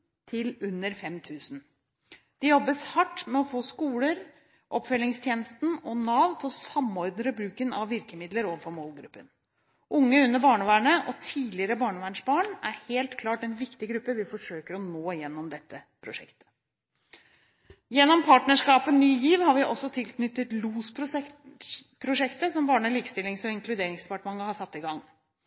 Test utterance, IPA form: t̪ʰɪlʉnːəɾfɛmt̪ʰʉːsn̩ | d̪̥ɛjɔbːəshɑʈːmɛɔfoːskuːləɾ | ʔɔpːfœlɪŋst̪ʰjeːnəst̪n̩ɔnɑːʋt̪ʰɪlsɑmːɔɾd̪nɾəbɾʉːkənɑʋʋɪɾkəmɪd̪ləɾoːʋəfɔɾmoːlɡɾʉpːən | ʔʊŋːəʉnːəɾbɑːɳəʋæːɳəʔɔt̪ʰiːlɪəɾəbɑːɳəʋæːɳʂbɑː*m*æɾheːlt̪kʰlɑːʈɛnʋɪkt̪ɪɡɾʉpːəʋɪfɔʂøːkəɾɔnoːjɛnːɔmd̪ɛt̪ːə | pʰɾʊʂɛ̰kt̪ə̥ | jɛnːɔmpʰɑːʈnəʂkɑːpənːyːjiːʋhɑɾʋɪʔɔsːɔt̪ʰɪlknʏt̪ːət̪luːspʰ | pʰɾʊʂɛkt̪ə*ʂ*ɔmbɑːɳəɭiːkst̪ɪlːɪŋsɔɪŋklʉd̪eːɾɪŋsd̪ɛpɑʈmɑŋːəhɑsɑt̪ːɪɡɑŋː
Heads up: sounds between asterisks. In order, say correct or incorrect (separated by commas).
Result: incorrect, incorrect